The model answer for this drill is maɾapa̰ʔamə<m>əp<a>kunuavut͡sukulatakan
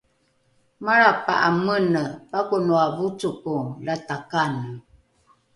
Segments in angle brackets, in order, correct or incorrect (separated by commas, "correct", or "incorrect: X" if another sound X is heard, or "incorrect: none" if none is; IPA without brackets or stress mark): incorrect: n, correct